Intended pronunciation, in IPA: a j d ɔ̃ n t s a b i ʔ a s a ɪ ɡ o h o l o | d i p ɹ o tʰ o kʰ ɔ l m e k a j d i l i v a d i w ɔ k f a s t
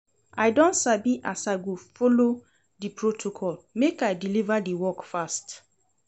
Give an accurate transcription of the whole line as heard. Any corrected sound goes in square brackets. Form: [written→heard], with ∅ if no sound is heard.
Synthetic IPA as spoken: a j d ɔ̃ n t s a b i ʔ a s a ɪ ɡ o [h→f] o l o | d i p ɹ o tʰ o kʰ ɔ l m e k a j d i l i v a d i w ɔ k f a s t

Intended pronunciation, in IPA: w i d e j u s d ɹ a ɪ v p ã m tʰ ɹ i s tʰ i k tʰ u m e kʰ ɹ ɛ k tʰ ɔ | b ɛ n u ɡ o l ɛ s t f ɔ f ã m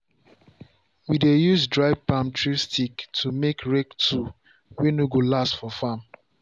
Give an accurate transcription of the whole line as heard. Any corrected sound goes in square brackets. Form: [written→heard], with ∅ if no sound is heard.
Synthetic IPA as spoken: w i d e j u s d ɹ a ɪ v p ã m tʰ ɹ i s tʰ i k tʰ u m e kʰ ɹ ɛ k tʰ [ɔ→u] | [b→w] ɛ n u ɡ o l [ɛ→a] s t f ɔ f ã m

